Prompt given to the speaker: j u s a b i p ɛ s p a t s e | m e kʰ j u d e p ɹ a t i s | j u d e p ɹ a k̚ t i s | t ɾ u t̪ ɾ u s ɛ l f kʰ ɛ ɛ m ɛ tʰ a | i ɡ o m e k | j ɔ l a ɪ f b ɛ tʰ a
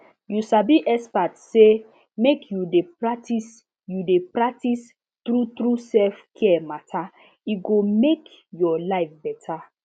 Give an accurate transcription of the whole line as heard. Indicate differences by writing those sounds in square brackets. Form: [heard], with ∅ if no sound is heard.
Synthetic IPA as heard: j u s a b i [ʔ] ɛ s p a t s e | m e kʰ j u d e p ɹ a t i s | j u d e p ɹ a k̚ t i s | t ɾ u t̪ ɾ u s ɛ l f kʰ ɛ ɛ m [a] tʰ a | i ɡ o m e k | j ɔ l a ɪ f b ɛ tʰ a